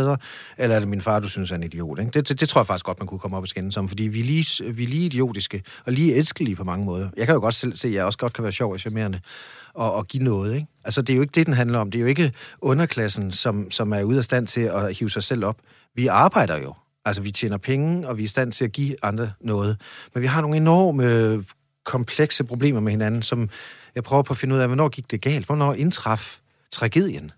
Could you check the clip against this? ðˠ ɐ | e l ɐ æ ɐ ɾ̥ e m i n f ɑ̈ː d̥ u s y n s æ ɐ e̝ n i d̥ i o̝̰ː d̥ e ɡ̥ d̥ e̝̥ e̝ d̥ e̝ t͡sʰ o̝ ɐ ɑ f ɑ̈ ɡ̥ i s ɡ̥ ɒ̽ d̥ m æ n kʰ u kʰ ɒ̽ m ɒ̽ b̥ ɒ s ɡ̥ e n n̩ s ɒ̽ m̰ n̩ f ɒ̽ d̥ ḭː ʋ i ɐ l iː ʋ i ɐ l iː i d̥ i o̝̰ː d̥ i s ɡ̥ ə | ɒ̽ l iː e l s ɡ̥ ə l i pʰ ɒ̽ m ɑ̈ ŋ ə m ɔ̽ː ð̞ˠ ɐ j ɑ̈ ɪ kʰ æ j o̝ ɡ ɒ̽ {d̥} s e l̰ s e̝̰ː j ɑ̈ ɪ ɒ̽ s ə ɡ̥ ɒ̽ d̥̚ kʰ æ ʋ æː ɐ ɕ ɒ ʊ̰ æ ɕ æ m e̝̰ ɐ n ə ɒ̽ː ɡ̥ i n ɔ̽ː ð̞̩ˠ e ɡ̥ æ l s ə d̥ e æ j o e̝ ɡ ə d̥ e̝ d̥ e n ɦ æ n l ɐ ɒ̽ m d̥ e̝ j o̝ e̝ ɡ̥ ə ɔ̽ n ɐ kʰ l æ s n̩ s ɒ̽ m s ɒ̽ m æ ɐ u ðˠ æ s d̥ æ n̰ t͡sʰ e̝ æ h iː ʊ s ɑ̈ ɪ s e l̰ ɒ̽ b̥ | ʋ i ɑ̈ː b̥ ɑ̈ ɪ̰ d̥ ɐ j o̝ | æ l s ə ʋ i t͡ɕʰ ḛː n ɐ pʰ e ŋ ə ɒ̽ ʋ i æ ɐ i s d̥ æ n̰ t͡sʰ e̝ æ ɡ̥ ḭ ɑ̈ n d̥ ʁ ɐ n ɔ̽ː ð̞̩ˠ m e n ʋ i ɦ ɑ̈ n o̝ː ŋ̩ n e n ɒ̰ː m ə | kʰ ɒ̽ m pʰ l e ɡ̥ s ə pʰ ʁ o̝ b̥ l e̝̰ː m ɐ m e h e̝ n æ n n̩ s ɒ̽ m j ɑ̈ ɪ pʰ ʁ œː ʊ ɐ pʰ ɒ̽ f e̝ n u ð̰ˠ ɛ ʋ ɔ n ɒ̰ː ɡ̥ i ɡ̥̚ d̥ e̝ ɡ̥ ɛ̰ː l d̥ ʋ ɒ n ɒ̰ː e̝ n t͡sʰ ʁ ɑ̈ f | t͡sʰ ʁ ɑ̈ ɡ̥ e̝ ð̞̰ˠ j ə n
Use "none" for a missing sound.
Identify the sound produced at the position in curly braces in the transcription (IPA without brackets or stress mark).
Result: d̥